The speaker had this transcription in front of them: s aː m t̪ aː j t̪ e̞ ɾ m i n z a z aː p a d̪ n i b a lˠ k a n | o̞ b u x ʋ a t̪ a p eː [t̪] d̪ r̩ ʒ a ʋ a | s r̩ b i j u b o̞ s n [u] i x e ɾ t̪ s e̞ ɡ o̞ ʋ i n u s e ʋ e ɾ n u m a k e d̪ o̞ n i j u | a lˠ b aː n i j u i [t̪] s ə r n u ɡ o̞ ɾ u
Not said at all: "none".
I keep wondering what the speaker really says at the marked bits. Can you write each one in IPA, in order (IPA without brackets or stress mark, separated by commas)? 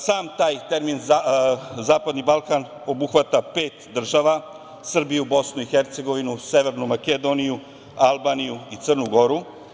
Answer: t̪, u, t̪